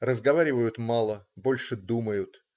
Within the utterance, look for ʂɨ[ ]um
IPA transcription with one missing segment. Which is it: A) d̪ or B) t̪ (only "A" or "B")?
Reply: A